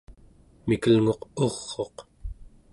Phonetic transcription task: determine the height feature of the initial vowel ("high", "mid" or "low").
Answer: high